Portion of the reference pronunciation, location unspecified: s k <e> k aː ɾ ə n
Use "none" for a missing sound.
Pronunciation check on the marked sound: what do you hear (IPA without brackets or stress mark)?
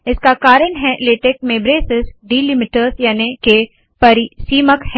a